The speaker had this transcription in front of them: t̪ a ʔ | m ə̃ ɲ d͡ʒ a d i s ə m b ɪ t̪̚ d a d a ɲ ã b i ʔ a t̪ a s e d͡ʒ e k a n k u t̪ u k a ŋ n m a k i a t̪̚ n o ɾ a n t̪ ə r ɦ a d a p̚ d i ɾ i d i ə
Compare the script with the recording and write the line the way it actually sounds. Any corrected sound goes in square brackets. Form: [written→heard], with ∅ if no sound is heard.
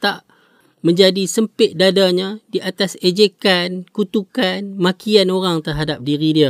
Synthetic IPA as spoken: t̪ a ʔ | m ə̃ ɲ d͡ʒ a d i s ə m [b→p] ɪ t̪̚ d a d a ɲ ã [b→d] i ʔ a t̪ a s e d͡ʒ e k a n k u t̪ u k a [ŋ→∅] n m a k i a [t̪̚→∅] n o ɾ a [n→ŋ] t̪ ə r ɦ a d a p̚ d i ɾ i d i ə